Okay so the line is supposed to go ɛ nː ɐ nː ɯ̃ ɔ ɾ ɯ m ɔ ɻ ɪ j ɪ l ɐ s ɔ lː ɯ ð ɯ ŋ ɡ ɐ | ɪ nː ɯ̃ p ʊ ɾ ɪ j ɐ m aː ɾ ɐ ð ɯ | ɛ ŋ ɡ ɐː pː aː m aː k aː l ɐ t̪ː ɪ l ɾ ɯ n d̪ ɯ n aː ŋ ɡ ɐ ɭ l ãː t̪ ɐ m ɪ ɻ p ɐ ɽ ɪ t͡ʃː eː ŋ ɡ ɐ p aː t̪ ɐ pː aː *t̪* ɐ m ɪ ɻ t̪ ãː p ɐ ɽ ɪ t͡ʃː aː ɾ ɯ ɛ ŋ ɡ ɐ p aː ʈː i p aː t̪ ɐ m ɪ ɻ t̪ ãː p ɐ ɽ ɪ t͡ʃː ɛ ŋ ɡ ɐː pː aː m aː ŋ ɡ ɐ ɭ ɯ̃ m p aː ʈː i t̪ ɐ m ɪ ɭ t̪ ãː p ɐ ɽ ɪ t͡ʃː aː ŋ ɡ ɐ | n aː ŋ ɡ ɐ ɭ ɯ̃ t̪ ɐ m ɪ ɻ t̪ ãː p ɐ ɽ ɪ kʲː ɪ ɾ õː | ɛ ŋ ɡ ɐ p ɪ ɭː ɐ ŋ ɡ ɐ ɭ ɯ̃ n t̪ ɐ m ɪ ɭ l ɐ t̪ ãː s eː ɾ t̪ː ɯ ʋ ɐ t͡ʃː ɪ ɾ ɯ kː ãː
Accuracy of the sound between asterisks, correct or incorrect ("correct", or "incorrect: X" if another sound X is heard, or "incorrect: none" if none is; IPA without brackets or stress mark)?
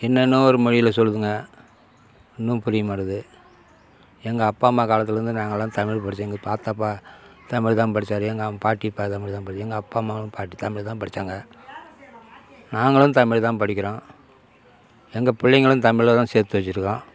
correct